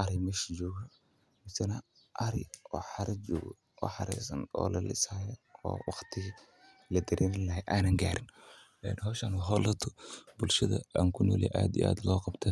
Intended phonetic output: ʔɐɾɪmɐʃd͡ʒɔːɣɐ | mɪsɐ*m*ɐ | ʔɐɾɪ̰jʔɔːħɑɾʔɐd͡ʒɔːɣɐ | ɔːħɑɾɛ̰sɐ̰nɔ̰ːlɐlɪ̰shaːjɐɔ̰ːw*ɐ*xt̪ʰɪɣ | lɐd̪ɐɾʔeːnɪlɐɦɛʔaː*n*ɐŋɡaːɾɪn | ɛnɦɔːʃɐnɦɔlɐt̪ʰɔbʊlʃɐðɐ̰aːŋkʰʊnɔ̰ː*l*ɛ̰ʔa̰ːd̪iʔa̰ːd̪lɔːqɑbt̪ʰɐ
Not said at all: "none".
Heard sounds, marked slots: n, ɑ, n, l

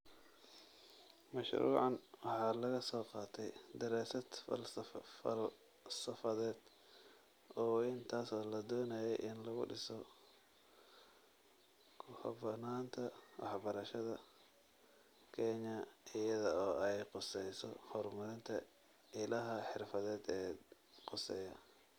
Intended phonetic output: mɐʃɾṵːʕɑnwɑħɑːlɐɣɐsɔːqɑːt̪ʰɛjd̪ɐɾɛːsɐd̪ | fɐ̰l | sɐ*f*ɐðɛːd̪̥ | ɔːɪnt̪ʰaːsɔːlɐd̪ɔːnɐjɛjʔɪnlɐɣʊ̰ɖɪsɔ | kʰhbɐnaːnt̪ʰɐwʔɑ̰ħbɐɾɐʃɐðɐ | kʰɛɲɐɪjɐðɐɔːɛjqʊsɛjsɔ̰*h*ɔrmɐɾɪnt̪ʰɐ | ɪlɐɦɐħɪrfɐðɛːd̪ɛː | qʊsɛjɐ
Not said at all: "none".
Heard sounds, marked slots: f, h

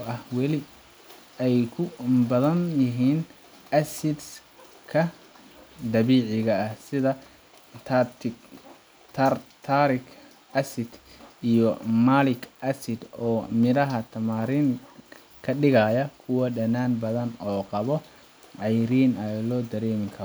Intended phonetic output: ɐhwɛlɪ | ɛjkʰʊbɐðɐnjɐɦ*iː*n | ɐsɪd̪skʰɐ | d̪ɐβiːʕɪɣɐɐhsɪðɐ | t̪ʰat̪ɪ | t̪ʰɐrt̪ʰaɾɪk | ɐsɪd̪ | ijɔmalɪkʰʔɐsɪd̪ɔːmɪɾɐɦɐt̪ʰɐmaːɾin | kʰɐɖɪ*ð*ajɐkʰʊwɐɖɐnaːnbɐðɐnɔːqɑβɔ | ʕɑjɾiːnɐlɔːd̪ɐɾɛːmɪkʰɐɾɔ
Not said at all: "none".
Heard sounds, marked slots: iː, ɣ

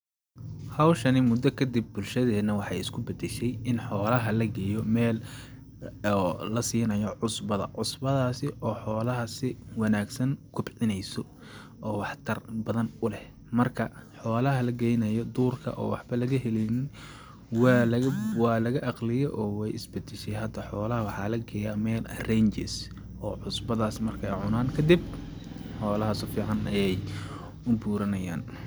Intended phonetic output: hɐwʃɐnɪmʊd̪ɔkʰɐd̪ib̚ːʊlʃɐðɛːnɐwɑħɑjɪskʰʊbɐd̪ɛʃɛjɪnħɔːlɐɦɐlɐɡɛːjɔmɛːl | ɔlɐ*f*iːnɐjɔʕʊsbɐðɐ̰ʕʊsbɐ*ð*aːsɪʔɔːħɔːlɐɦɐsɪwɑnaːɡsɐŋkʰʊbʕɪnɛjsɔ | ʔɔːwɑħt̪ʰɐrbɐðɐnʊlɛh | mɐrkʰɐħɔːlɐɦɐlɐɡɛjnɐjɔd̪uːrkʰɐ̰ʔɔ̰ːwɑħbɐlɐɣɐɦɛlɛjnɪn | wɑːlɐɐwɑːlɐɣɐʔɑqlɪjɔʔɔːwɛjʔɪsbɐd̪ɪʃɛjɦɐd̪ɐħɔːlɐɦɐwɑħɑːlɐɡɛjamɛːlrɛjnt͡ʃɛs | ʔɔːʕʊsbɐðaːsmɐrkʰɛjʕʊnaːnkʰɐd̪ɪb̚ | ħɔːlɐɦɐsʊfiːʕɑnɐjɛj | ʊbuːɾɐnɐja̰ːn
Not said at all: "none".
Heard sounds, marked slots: s, ð

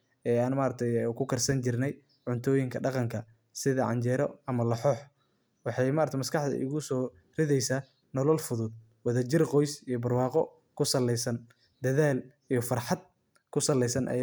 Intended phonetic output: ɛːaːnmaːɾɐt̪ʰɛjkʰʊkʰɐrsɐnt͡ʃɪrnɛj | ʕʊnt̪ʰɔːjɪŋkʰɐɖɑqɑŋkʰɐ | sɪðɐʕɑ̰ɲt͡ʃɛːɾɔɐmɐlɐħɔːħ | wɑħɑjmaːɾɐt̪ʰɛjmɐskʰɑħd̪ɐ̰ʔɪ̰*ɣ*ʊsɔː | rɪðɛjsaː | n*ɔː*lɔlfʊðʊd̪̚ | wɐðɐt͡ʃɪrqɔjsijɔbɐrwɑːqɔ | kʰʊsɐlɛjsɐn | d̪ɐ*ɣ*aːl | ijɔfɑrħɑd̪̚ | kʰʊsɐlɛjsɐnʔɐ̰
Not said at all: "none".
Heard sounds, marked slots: ɣ, ɔ, ð

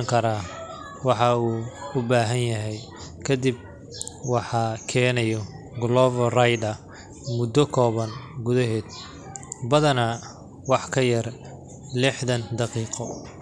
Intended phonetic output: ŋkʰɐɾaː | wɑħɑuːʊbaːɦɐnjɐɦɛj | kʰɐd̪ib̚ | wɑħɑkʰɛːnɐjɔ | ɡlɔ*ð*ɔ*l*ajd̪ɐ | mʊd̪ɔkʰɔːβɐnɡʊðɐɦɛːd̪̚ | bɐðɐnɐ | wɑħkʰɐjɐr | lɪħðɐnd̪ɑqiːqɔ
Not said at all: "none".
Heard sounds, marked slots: v, r

